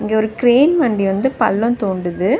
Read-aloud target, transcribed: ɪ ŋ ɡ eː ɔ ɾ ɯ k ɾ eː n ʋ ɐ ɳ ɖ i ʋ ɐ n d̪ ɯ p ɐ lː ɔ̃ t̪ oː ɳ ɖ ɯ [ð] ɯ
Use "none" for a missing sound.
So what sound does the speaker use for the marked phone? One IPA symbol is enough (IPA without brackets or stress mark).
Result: ð